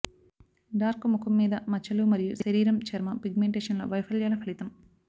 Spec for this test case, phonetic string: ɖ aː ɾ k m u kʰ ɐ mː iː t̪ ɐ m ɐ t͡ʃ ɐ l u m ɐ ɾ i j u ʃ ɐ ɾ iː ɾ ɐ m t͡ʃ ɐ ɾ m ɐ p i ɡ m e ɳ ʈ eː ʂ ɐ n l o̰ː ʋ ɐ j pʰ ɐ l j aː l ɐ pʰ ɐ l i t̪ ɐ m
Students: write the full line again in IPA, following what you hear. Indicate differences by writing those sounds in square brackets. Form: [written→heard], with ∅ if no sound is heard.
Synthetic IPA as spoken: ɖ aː ɾ k m u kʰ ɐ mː iː [t̪→d̪] ɐ m ɐ t͡ʃ ɐ l u m ɐ ɾ i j u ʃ ɐ ɾ iː ɾ ɐ m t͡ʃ ɐ ɾ m ɐ p i ɡ m e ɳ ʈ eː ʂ ɐ n l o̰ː ʋ ɐ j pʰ ɐ l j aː l ɐ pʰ ɐ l i t̪ ɐ m